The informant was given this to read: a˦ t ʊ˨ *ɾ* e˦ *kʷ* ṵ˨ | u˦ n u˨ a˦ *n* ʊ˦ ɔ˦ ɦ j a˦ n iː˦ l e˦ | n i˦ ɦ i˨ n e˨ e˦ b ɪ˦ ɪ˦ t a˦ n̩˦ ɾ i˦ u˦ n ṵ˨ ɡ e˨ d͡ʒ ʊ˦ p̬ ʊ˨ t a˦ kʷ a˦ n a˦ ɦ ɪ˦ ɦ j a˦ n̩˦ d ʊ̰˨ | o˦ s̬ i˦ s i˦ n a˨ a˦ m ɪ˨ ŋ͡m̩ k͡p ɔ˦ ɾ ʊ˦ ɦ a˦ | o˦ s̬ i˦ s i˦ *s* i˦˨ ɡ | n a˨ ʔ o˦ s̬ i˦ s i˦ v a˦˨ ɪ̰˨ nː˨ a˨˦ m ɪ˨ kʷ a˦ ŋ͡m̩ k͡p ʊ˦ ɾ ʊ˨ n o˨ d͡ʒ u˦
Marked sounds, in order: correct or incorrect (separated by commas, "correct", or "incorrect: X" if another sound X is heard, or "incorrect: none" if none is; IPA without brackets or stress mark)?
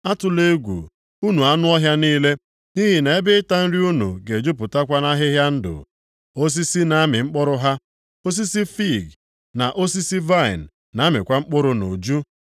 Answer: incorrect: l, incorrect: ɡʷ, correct, incorrect: f